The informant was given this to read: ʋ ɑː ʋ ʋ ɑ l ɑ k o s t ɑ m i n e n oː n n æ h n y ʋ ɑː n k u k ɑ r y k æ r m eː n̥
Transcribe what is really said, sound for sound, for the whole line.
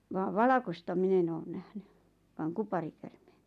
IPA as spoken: ʋ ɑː ʋ ʋ ɑ l ɑ k o s t ɑ m i n e n oː n n æ h n y ʋ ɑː ŋ k u p ɑ r i k æ r m eː n̥